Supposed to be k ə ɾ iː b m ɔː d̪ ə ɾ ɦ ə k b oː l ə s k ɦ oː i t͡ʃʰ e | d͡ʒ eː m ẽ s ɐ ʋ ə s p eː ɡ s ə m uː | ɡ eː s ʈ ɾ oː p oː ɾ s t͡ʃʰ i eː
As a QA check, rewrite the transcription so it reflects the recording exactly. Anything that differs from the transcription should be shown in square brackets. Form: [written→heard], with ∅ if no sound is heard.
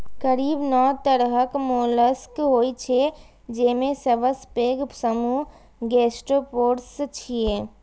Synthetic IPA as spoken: k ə ɾ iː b [m→n] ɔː [d̪→t̪] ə ɾ ɦ ə k [b→m] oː l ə s k ɦ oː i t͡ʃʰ e | d͡ʒ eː m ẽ s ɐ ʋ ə s p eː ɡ s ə m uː | ɡ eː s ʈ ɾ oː p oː ɾ s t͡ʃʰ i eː